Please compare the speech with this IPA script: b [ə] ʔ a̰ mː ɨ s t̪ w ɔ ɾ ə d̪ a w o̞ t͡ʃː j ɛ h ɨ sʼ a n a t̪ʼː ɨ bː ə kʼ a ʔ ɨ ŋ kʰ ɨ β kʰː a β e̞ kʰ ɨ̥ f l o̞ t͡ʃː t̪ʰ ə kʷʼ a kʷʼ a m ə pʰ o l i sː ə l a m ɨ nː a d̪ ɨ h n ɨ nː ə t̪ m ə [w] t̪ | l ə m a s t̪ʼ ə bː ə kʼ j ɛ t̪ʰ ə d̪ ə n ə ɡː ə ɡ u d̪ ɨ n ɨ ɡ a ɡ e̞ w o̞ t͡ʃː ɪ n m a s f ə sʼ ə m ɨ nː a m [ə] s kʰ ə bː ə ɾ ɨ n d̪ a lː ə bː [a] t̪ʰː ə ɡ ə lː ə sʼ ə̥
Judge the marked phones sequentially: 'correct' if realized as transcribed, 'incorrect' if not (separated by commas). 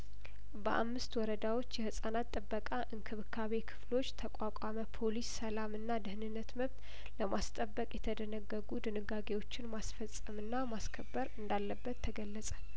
correct, incorrect, incorrect, incorrect